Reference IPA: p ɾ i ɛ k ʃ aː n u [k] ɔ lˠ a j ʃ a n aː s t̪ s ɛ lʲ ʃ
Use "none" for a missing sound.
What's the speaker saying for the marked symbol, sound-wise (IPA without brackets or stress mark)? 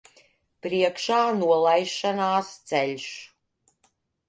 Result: none